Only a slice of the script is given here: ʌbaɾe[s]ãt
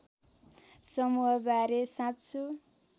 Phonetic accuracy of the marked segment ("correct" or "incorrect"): correct